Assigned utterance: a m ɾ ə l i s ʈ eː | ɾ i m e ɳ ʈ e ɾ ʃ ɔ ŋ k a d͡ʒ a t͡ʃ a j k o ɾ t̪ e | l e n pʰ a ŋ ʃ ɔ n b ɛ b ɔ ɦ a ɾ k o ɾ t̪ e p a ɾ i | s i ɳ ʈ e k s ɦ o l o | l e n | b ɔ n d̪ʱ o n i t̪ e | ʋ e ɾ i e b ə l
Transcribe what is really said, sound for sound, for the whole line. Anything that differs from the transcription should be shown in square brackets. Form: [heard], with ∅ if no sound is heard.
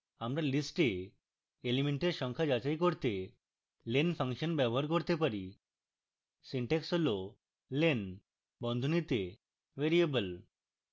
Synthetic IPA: a m ɾ [a] l i s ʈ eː | [l] i m e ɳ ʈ e ɾ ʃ ɔ ŋ [kʰ] a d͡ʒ a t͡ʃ a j k o ɾ t̪ e | l e n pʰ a ŋ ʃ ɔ n b ɛ b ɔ ɦ a ɾ k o ɾ t̪ e p a ɾ i | s i ɳ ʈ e k s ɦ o l o | l e n | b ɔ n d̪ʱ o n i t̪ e | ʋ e ɾ i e b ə l